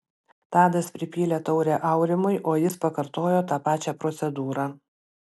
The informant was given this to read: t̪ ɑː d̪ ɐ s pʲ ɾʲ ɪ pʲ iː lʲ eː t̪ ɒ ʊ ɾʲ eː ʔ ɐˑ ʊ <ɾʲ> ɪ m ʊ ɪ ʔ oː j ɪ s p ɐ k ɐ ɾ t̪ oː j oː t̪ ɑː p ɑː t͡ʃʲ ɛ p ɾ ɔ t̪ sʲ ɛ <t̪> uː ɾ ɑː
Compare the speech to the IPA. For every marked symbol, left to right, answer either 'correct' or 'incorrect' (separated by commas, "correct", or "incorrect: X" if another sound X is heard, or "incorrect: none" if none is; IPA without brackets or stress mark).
correct, incorrect: d̪